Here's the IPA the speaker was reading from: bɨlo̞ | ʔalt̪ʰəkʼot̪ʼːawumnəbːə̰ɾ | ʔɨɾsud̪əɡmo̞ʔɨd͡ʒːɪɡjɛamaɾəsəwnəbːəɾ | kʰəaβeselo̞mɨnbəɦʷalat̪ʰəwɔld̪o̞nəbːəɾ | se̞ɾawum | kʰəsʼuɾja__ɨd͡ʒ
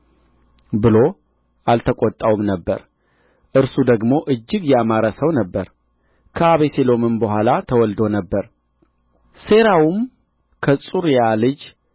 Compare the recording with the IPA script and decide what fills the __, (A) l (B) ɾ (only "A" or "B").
A